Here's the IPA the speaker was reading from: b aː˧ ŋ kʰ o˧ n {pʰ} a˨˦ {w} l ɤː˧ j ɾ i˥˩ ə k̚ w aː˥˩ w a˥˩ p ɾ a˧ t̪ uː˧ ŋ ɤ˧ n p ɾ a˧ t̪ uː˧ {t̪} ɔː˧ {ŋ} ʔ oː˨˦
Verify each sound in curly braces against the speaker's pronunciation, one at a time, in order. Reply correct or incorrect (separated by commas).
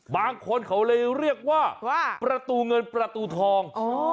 incorrect, correct, incorrect, correct